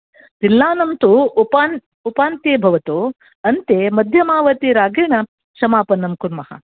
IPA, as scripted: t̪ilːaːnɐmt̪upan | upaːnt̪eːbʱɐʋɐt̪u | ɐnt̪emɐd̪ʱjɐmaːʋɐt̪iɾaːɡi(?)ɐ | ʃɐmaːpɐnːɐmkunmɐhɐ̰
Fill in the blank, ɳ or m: ɳ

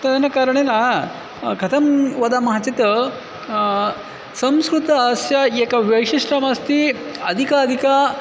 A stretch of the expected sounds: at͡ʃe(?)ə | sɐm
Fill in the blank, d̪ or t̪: t̪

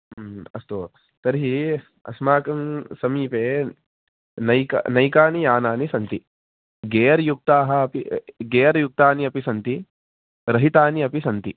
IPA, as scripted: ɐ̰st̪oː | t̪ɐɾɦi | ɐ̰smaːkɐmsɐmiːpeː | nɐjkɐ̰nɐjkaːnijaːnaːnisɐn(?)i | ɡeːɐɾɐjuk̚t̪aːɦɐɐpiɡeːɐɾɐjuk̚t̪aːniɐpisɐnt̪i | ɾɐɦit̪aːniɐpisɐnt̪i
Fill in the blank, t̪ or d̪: t̪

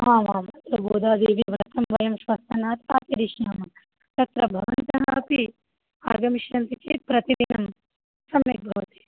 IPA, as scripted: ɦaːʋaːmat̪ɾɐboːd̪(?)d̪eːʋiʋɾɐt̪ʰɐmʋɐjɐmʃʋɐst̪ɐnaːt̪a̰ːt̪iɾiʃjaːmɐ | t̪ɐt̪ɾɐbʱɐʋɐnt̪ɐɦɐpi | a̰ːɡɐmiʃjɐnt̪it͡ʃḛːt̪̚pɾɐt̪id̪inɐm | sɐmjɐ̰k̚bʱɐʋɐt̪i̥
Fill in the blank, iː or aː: aː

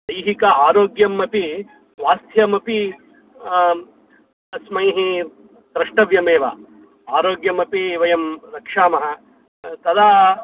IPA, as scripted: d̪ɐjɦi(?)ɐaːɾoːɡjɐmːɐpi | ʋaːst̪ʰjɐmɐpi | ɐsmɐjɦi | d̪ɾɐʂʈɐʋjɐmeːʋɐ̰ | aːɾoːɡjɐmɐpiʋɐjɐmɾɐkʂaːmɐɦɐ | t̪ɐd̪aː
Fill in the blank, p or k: k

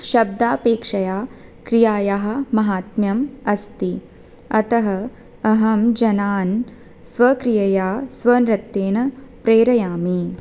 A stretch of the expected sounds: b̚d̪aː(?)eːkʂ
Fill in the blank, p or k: p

